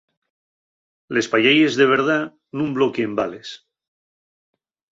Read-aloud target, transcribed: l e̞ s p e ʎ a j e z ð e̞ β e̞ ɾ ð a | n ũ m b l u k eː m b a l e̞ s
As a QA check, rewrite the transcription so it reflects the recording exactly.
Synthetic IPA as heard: l e̞ s p a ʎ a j e z ð e̞ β e̞ ɾ ð a | n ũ m b l o k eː m b a l e̞ s